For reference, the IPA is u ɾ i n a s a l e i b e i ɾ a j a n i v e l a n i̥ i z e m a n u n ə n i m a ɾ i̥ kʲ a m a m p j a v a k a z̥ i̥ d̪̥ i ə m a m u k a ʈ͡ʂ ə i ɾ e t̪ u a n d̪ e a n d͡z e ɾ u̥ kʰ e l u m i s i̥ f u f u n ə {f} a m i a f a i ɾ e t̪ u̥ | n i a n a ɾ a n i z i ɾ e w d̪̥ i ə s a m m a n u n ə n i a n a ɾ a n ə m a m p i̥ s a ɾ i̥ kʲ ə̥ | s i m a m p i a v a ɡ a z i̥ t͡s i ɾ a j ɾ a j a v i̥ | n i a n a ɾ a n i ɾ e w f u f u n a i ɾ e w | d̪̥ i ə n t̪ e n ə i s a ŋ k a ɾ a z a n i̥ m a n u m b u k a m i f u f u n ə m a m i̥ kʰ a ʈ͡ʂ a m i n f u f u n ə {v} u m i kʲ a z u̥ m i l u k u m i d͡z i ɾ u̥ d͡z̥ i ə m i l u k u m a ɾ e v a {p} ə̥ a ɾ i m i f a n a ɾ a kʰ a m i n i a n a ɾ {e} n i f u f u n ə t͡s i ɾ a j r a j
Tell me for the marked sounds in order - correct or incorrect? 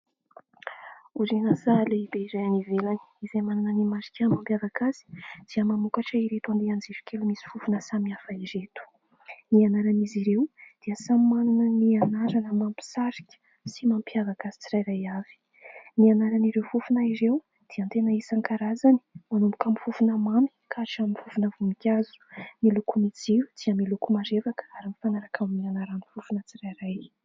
incorrect, correct, incorrect, incorrect

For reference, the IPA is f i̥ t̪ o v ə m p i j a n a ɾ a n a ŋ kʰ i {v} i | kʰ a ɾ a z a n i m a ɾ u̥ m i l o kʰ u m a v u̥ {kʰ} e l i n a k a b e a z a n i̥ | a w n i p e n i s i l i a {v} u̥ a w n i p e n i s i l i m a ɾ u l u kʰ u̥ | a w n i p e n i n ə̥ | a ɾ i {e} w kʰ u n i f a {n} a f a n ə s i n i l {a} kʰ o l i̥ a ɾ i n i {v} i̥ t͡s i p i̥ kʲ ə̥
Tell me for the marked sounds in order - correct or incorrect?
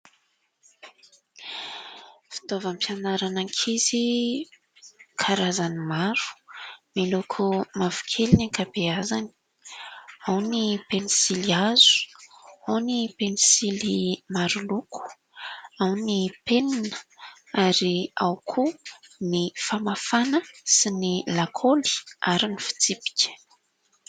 incorrect, correct, incorrect, incorrect, incorrect, correct, incorrect

